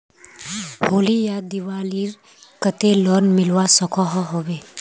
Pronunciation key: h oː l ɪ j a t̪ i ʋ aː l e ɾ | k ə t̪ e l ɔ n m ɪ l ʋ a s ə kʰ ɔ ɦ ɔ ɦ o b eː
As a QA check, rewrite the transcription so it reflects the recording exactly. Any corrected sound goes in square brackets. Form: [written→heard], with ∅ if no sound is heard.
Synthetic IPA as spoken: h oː l [ɪ→i] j a [t̪→d̪] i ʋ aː l [e→i] ɾ | k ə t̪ e l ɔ n m ɪ l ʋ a s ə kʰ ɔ ɦ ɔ ɦ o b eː

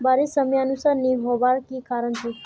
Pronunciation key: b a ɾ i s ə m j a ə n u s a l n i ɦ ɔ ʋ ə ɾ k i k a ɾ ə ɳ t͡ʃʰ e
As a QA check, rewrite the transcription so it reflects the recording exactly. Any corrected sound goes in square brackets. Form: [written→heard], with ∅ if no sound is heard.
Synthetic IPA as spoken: b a ɾ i s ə m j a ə n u s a [l→ɾ] n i ɦ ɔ ʋ [ə→a] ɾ k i k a ɾ ə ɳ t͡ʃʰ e

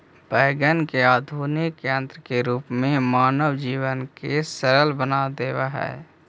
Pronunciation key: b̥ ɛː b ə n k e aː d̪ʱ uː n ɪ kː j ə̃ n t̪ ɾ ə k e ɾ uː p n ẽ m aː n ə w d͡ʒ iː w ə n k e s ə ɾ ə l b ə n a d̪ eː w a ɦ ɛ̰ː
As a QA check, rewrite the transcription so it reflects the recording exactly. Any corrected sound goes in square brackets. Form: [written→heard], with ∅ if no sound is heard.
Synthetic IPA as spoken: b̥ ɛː [b→ɡ] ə n k e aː d̪ʱ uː n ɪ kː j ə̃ n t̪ ɾ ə k e ɾ uː p [n→m] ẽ m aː n ə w d͡ʒ iː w ə n k e s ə ɾ ə l b ə n a d̪ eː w a ɦ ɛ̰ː

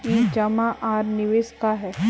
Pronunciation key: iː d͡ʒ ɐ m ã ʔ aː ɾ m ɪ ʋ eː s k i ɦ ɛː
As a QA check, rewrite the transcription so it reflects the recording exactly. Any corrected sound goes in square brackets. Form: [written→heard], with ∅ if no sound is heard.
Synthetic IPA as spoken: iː d͡ʒ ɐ m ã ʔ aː ɾ [m→n] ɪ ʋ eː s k [i→a] ɦ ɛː

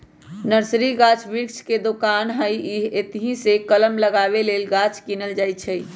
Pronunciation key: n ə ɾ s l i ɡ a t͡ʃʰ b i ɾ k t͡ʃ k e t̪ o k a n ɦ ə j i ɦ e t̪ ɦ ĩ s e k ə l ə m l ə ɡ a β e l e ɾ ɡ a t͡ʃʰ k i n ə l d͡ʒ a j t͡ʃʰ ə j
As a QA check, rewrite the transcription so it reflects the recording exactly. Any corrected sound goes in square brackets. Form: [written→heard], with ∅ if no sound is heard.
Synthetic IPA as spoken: n ə ɾ s [l→ɾ] i ɡ a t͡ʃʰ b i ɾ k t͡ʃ k e [t̪→d̪] o k a n ɦ ə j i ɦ e t̪ ɦ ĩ s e k ə l ə m l ə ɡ a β e l e [ɾ→l] ɡ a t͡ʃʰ k i n ə l d͡ʒ a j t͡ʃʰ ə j

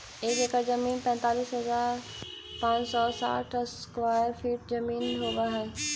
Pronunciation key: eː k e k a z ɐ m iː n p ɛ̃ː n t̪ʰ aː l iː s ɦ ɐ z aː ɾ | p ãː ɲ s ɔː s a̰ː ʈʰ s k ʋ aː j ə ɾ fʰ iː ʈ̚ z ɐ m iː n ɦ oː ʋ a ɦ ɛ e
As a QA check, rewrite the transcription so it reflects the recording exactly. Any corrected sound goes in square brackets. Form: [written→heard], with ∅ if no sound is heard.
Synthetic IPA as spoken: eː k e k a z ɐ m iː n p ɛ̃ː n [t̪ʰ→t̪] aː l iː s ɦ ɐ z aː ɾ | p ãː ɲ s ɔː s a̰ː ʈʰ s k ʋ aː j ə ɾ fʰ iː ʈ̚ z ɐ m iː n ɦ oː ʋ a ɦ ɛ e

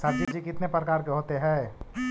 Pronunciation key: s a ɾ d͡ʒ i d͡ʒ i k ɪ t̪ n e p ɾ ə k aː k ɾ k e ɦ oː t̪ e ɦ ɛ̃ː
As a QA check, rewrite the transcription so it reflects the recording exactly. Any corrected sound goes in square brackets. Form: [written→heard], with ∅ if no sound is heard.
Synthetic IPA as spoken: s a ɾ d͡ʒ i d͡ʒ i k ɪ t̪ n e p ɾ ə k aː [k→∅] ɾ k e ɦ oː t̪ e ɦ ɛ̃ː

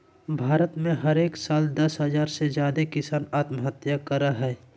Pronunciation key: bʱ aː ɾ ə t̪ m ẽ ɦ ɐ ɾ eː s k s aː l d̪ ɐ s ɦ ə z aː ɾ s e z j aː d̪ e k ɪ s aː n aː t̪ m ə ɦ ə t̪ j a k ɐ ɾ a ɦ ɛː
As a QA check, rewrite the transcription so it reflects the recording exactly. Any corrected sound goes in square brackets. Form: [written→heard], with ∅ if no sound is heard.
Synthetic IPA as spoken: bʱ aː ɾ ə t̪ m ẽ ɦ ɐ ɾ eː [s→∅] k s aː l d̪ ɐ s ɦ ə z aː ɾ s e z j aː d̪ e k ɪ s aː n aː t̪ m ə ɦ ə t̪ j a k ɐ ɾ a ɦ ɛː

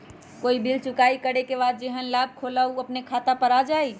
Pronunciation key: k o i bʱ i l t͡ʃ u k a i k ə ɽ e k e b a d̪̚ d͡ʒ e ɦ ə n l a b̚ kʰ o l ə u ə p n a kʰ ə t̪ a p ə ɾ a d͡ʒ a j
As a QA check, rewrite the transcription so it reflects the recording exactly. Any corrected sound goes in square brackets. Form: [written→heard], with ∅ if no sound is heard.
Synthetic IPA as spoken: k o i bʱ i l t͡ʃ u k a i k ə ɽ e k e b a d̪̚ d͡ʒ e ɦ ə n l a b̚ kʰ o l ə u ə p n [a→e] kʰ [ə→a] t̪ a p ə ɾ a d͡ʒ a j

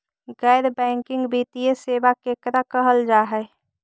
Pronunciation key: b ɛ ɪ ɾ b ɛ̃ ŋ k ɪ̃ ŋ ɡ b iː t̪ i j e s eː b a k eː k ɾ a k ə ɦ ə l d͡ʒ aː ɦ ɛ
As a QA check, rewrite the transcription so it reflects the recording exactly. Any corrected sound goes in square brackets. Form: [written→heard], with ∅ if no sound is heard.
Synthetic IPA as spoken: [b→ɡ] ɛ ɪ ɾ b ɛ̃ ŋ k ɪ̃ ŋ ɡ b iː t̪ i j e s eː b a k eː k ɾ a k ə ɦ ə l d͡ʒ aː ɦ ɛ

